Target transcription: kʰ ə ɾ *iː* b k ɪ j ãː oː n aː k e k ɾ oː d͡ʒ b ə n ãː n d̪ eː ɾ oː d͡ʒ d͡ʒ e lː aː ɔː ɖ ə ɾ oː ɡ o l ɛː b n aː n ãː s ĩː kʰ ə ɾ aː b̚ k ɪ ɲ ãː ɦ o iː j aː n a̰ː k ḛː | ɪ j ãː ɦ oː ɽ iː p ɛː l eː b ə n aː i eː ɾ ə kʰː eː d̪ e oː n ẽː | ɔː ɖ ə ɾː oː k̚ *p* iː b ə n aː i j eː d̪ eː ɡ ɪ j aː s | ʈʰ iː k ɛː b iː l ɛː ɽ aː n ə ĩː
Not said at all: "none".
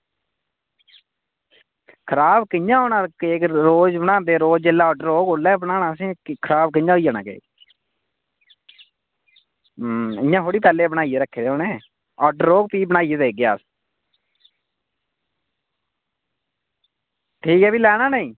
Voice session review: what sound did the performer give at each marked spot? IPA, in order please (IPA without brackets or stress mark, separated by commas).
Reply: aː, p